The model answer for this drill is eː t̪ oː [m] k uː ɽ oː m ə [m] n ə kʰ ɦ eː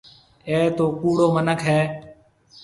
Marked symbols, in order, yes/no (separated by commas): no, no